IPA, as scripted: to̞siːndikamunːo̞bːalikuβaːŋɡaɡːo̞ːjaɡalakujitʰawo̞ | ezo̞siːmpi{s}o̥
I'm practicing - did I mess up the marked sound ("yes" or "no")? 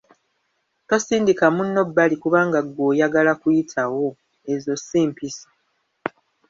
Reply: no